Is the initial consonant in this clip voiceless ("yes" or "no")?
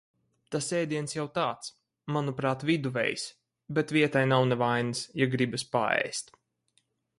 yes